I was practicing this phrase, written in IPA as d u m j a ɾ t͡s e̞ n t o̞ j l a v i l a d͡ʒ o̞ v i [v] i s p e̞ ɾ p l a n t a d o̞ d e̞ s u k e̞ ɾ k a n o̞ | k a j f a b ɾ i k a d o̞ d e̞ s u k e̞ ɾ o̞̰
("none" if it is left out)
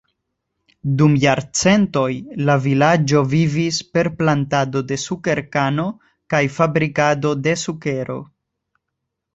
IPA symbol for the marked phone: v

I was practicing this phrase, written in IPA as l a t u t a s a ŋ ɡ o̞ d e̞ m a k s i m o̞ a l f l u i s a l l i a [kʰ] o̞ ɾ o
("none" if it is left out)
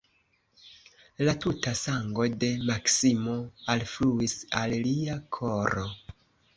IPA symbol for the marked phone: kʰ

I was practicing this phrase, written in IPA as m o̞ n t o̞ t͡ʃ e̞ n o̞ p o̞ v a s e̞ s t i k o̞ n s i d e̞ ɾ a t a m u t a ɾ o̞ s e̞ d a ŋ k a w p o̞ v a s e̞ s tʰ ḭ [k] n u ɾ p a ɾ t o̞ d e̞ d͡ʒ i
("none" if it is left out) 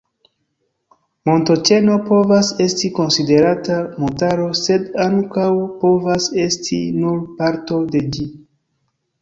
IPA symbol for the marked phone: none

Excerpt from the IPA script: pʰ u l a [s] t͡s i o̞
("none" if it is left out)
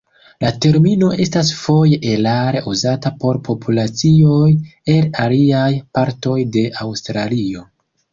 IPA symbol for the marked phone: none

